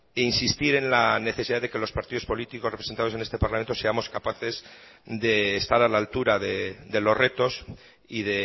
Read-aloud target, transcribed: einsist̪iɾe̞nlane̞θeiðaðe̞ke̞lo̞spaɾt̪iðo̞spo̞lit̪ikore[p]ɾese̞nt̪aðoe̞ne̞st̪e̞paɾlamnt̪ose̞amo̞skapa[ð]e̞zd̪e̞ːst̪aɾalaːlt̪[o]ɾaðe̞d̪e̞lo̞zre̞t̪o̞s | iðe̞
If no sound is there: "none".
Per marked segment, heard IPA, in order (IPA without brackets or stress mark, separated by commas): p, θ, u